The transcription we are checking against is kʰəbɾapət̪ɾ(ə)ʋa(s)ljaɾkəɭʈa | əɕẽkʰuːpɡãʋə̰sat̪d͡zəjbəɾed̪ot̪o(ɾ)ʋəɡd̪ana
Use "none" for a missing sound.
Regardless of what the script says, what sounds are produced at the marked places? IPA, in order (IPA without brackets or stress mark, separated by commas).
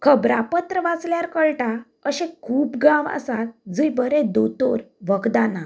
ə, t͡s, ɾ